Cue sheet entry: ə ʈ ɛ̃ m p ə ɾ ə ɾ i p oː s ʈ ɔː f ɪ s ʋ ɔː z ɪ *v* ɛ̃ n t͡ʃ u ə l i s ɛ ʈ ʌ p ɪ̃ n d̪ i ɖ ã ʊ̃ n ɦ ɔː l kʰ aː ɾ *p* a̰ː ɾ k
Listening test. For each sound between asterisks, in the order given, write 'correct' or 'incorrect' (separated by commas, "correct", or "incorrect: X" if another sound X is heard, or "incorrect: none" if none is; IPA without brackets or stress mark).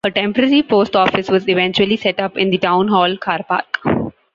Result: incorrect: ʋ, correct